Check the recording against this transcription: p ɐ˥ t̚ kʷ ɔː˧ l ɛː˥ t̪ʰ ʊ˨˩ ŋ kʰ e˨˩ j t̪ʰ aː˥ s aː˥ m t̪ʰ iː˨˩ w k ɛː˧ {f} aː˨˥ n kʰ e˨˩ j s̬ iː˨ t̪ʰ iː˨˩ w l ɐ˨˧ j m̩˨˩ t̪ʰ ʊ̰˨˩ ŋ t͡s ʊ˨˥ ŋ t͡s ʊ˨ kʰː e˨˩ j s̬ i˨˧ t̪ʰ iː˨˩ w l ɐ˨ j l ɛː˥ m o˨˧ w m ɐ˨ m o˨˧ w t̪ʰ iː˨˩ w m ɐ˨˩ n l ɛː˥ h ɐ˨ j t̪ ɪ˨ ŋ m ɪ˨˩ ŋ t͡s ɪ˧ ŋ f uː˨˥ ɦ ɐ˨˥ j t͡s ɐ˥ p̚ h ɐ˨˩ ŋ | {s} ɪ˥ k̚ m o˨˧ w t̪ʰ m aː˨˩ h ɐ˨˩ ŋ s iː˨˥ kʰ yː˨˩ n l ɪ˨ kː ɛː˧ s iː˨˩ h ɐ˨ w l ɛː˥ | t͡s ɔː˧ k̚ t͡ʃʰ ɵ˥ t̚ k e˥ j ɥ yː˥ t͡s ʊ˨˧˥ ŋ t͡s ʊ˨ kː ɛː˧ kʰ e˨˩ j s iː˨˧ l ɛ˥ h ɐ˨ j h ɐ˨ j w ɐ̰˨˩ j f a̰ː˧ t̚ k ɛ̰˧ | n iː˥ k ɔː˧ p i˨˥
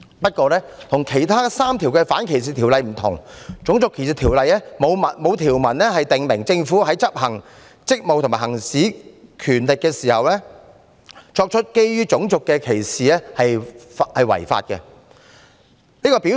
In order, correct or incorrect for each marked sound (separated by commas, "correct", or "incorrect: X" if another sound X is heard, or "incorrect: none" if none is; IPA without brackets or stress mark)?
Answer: correct, incorrect: t͡s